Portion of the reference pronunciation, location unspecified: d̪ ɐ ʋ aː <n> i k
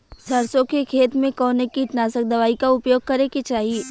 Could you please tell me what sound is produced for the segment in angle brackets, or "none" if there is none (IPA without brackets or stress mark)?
none